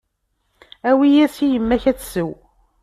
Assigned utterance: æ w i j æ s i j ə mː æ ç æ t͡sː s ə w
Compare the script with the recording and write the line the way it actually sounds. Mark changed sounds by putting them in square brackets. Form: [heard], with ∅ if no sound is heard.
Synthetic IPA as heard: æ w i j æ s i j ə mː æ ç æ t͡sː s ə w